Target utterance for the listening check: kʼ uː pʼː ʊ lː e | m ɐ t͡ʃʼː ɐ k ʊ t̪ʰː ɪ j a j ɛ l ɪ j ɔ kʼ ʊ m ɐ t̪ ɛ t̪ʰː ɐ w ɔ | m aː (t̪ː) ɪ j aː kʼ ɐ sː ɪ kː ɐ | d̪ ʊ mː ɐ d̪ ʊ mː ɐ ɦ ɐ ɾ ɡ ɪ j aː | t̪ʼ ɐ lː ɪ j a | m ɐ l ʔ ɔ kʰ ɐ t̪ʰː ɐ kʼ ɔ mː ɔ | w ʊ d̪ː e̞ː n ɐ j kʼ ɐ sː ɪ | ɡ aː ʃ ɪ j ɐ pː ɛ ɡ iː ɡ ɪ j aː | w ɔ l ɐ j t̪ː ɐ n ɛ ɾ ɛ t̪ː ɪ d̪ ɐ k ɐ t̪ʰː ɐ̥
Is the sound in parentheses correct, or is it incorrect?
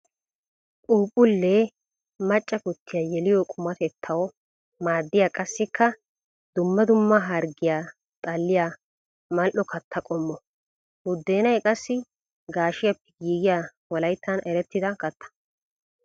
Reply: incorrect